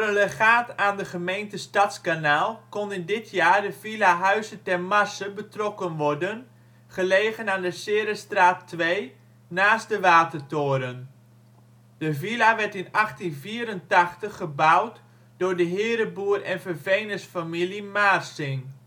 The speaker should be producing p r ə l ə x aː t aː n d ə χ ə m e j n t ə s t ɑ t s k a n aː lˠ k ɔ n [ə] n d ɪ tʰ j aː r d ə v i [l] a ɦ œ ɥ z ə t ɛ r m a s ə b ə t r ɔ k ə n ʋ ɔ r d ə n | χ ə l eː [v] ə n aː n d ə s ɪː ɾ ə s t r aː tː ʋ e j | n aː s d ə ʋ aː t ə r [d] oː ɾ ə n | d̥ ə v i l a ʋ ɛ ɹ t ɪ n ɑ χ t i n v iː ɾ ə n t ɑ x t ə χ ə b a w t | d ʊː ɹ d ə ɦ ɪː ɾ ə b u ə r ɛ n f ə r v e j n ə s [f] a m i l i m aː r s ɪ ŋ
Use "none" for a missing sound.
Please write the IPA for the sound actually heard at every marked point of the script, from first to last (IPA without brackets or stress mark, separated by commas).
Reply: ə, l, ɣ, t, f